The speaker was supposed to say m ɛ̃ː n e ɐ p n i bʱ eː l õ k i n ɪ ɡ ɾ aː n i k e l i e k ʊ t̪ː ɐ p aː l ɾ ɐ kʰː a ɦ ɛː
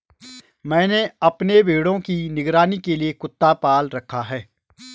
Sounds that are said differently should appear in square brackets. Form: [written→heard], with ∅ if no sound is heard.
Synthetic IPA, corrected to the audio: m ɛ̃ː n e ɐ p n [i→e] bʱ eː [l→ɽ] õ k i n ɪ ɡ ɾ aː n i k e l i e k ʊ t̪ː [ɐ→a] p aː l ɾ ɐ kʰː a ɦ ɛː